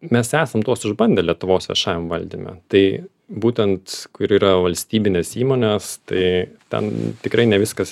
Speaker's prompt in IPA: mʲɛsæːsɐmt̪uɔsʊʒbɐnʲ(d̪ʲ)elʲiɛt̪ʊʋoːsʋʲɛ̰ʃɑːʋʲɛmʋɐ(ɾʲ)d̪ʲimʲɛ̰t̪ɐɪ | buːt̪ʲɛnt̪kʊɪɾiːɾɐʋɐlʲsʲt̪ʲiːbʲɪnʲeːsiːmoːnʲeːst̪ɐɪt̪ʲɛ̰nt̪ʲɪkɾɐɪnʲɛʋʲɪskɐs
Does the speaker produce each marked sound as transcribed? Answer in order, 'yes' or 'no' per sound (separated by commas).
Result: yes, no